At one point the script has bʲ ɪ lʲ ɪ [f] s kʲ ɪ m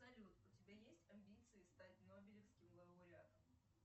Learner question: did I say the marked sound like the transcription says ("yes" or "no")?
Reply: yes